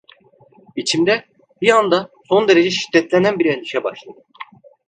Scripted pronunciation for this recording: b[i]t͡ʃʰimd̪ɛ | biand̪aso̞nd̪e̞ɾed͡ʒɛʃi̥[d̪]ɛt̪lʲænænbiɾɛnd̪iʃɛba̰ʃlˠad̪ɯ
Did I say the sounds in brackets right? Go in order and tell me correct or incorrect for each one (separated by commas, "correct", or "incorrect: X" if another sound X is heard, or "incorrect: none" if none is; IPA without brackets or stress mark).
correct, incorrect: d̪ː